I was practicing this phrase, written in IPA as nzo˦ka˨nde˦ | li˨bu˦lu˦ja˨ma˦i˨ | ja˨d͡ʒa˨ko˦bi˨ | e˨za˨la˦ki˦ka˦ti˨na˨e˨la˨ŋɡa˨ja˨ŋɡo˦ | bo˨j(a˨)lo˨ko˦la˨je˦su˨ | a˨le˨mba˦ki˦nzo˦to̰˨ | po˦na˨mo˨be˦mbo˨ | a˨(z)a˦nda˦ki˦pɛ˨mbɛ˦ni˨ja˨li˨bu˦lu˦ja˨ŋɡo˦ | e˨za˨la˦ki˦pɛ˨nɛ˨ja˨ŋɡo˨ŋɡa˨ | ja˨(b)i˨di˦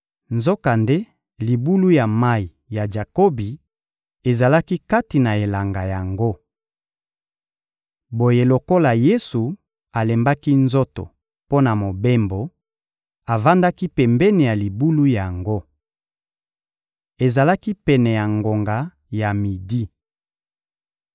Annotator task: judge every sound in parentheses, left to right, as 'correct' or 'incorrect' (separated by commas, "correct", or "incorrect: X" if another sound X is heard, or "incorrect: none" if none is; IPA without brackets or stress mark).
incorrect: e˨, incorrect: v, incorrect: m